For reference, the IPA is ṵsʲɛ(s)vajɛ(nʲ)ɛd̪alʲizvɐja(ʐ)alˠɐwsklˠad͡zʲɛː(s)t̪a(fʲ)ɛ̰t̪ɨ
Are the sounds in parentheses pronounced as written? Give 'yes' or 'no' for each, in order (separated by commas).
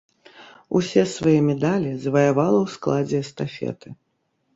yes, no, no, yes, yes